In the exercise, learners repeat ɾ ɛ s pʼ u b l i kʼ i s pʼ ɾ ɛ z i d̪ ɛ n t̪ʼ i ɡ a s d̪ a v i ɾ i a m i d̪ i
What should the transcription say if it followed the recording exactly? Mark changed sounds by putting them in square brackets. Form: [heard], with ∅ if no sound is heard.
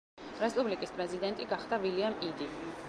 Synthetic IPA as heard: ɾ ɛ s pʼ u b l i kʼ i s pʼ ɾ ɛ z i d̪ ɛ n t̪ʼ i ɡ a [χ] d̪ a v i [l] i a m i d̪ i

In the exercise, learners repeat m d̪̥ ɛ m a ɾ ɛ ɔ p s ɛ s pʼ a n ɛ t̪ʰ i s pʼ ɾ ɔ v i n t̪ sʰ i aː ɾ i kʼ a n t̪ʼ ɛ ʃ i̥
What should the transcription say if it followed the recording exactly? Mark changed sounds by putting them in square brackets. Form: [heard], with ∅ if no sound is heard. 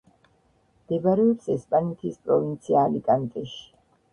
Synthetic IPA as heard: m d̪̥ ɛ [b] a ɾ ɛ ɔ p s ɛ s pʼ a n ɛ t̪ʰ i s pʼ ɾ ɔ v i n t̪ sʰ i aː [l] i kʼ a n t̪ʼ ɛ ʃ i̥

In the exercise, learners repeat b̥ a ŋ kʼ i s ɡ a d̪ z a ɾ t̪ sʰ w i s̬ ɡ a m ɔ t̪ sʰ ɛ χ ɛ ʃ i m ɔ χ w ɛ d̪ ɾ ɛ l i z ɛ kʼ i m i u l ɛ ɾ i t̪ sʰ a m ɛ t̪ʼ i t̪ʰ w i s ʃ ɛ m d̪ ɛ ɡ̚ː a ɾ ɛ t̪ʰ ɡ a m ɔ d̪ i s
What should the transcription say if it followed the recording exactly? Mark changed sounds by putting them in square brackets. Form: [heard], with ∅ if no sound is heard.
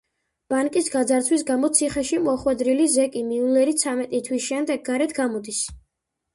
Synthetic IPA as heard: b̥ a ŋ kʼ i s ɡ a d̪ z a ɾ t̪ sʰ w i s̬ ɡ a m ɔ t̪ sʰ [i] χ ɛ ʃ i m ɔ χ w ɛ d̪ ɾ [i] l i z ɛ kʼ i m i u l ɛ ɾ i t̪ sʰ a m ɛ t̪ʼ i t̪ʰ w i s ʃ ɛ m d̪ ɛ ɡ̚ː a ɾ ɛ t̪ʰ ɡ a m ɔ d̪ i s

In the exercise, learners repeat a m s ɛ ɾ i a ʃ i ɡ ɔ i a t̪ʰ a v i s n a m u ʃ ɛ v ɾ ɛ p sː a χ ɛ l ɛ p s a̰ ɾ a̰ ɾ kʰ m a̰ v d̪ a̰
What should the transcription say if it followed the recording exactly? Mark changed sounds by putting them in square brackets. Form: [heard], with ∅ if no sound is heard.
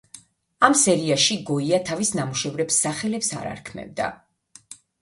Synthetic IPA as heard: a m s ɛ ɾ i a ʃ i ɡ ɔ i a t̪ʰ a v i s n a m u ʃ ɛ v ɾ ɛ p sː a χ ɛ l ɛ p s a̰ ɾ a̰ ɾ kʰ m [ɛ̰] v d̪ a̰

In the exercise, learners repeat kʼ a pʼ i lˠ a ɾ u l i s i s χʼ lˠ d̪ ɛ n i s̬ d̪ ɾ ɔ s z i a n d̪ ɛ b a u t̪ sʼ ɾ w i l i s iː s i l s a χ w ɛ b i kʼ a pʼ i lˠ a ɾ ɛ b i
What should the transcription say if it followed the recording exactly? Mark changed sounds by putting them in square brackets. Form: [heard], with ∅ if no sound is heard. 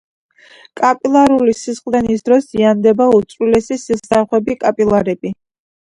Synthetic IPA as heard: kʼ a pʼ i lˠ a ɾ u l i s i s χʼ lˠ d̪ ɛ n i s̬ d̪ ɾ ɔ s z i a n d̪ ɛ b a u t̪ sʼ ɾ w i l [ɛ] s [i] s i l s a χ w ɛ b i kʼ a pʼ i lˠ a ɾ ɛ b i

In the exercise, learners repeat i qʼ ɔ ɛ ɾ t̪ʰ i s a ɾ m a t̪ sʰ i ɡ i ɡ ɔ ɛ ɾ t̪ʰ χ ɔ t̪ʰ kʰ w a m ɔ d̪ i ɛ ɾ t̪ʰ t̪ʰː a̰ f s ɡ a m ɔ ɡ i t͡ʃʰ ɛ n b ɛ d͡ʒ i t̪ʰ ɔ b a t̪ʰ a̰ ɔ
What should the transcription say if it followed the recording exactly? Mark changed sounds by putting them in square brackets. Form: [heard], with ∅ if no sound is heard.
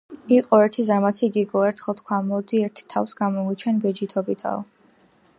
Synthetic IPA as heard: i qʼ ɔ ɛ ɾ t̪ʰ i [z] a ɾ m a t̪ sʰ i ɡ i ɡ ɔ ɛ ɾ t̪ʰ χ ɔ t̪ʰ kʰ w a m ɔ d̪ i ɛ ɾ t̪ʰ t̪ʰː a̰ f s ɡ a m ɔ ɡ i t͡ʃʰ ɛ n b ɛ d͡ʒ i t̪ʰ ɔ b [i] t̪ʰ a̰ ɔ

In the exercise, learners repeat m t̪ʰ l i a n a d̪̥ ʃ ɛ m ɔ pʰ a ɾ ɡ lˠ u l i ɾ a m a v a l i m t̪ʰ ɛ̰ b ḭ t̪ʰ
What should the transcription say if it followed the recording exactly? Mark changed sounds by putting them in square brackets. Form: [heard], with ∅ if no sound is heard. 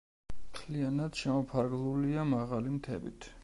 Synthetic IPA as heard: m t̪ʰ l i a n a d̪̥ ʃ ɛ m ɔ pʰ a ɾ ɡ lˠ u l i [∅] a m a [ʁ] a l i m t̪ʰ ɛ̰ b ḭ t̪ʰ

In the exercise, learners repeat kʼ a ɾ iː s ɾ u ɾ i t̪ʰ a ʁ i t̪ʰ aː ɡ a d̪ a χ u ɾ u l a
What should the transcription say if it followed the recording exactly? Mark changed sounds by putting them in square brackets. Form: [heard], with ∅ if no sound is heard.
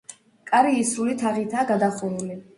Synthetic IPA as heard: kʼ a ɾ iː s ɾ u [l] i t̪ʰ a ʁ i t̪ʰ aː ɡ a d̪ a χ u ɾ u l [i]

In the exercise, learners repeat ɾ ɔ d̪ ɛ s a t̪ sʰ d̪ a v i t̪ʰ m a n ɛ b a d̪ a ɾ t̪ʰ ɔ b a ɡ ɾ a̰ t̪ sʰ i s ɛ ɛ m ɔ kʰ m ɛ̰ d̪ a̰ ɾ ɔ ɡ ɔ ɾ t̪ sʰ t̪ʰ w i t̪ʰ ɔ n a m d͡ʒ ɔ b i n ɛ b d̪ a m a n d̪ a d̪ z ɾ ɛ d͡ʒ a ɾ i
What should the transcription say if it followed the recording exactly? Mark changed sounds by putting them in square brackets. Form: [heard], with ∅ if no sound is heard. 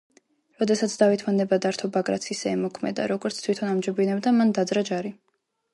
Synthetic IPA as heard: ɾ ɔ d̪ ɛ s a t̪ sʰ d̪ a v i t̪ʰ m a n ɛ b a d̪ a ɾ t̪ʰ ɔ b a ɡ ɾ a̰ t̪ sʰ i s ɛ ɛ m ɔ kʰ m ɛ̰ d̪ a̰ ɾ ɔ ɡ ɔ ɾ t̪ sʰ t̪ʰ w i t̪ʰ ɔ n a m d͡ʒ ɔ b i n ɛ b d̪ a m a n d̪ a d̪ z ɾ [a] d͡ʒ a ɾ i

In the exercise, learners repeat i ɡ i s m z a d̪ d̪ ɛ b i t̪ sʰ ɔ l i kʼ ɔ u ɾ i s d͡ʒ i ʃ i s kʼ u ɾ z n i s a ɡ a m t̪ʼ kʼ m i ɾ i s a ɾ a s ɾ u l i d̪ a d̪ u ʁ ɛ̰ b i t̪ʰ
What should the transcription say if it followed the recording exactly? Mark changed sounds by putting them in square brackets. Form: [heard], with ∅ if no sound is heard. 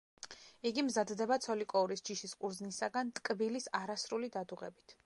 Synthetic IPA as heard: i ɡ i [∅] m z a d̪ d̪ ɛ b [a] t̪ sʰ ɔ l i kʼ ɔ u ɾ i s d͡ʒ i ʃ i s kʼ u ɾ z n i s a ɡ a [n] t̪ʼ kʼ [b] i [l] i s a ɾ a s ɾ u l i d̪ a d̪ u ʁ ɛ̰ b i t̪ʰ

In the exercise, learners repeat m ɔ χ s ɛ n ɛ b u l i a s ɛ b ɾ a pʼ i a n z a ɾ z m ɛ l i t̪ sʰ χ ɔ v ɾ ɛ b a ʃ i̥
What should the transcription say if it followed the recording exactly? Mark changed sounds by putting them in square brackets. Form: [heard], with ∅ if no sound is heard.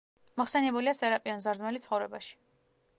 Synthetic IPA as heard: m ɔ χ s ɛ n ɛ b u l i a s ɛ [∅] ɾ a pʼ i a n z a ɾ z m ɛ l i t̪ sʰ χ ɔ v ɾ ɛ b a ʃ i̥

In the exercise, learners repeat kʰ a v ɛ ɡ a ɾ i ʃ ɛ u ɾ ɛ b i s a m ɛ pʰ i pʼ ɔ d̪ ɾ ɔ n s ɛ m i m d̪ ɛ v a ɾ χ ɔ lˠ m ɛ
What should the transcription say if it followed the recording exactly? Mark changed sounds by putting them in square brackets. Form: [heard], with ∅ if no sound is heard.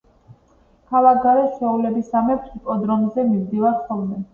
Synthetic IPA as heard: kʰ a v [a] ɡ a ɾ [ɛ] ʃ ɛ u [l] ɛ b i s a m ɛ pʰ i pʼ ɔ d̪ ɾ ɔ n [z] ɛ m i m d̪ [i] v a ɾ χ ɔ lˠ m ɛ

